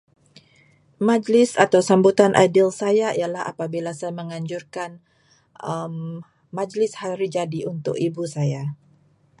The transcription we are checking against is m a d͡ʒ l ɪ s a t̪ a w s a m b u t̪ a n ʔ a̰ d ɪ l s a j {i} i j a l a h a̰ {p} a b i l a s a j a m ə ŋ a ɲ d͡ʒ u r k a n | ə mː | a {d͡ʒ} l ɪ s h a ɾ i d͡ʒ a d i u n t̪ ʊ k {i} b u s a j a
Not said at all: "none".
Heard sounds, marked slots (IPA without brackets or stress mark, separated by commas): a, p, d͡ʒ, i